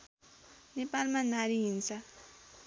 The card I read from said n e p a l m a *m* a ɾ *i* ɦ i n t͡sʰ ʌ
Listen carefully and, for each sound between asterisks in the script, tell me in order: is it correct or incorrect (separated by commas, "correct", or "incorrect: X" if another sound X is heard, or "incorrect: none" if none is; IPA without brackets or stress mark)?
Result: incorrect: n, correct